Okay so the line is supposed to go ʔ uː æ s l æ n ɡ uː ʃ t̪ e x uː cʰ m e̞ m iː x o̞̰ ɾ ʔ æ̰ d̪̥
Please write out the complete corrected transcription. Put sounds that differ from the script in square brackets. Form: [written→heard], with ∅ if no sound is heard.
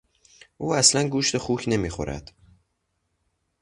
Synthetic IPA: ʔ uː æ s l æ n ɡ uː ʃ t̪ e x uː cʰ [m→n] e̞ m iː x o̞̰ ɾ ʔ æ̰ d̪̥